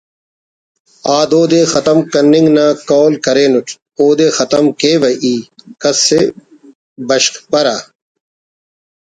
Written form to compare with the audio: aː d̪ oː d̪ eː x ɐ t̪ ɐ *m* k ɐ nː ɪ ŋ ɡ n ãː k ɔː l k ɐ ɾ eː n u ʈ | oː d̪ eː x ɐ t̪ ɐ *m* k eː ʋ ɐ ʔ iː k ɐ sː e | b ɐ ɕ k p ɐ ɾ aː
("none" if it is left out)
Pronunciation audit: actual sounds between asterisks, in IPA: m, m

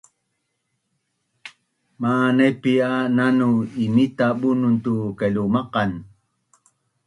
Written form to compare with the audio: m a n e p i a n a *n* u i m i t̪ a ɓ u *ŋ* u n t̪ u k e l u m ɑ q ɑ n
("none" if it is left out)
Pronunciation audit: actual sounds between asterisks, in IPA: n, n

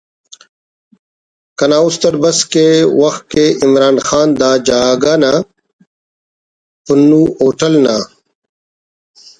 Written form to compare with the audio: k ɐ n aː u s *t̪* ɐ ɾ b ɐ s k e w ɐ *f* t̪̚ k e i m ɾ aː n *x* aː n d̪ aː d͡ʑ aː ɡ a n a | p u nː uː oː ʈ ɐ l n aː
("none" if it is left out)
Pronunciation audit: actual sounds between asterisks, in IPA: t̪, x, x

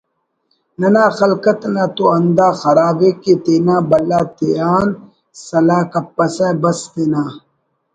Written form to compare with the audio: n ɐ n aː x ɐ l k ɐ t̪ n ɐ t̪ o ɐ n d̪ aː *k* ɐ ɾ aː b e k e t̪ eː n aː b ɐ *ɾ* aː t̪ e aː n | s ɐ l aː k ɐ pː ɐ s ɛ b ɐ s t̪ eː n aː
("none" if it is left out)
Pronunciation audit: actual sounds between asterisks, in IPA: x, l

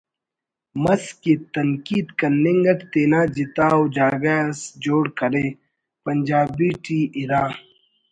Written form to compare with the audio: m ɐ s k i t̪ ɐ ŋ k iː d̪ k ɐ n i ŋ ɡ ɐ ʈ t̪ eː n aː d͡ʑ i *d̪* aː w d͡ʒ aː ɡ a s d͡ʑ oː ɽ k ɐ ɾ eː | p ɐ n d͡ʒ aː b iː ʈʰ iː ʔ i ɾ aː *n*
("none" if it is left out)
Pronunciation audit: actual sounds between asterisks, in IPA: t̪, none

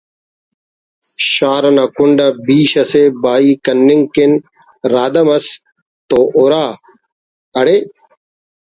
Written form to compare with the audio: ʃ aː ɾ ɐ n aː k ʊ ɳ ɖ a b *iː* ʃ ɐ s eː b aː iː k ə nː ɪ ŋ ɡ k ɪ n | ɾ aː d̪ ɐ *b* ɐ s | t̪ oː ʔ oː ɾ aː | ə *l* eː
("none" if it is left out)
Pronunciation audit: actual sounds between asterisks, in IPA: iː, m, ɽ

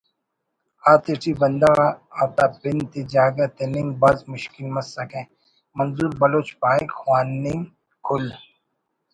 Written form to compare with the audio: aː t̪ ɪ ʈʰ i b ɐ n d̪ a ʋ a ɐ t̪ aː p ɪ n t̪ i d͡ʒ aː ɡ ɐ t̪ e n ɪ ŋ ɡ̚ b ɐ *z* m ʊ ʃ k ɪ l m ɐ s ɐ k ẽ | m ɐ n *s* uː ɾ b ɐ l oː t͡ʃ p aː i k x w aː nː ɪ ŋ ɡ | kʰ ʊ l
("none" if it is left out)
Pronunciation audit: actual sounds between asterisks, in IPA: z, z

